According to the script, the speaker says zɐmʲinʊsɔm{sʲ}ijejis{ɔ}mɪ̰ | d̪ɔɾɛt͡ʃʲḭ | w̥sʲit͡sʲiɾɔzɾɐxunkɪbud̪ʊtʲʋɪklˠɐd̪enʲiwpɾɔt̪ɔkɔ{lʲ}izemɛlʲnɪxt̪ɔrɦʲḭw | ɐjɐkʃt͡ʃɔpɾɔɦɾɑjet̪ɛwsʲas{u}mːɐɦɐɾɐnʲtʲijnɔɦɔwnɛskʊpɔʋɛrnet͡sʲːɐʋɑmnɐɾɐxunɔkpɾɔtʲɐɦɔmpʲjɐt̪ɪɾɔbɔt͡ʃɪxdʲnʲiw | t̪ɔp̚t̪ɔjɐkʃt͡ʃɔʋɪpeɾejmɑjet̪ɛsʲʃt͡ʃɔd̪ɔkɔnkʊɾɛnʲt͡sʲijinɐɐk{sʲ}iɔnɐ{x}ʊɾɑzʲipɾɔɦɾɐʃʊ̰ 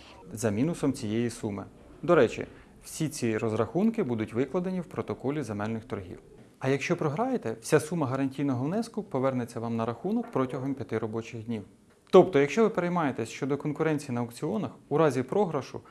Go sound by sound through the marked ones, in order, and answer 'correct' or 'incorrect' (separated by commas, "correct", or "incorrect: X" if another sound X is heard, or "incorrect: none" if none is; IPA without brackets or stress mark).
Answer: incorrect: t͡sʲ, incorrect: u, correct, correct, incorrect: t͡sʲ, correct